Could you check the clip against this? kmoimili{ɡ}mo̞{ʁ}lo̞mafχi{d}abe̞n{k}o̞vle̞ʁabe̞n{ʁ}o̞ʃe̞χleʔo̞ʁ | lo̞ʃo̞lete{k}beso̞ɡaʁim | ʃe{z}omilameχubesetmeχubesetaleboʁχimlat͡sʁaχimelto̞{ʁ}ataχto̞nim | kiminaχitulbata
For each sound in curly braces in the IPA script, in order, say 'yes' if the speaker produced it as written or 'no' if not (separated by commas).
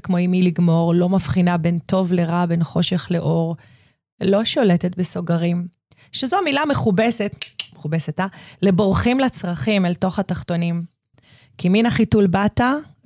yes, yes, no, no, no, no, yes, no